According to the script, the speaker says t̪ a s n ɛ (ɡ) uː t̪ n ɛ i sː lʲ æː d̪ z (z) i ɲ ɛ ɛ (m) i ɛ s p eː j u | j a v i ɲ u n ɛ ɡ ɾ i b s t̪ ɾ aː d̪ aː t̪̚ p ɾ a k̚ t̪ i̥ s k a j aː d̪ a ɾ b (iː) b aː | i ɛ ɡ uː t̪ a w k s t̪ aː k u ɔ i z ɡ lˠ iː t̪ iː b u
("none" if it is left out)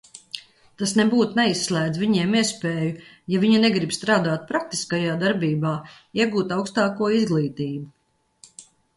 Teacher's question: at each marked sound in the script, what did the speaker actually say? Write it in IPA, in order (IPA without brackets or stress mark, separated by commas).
b, v, m, iː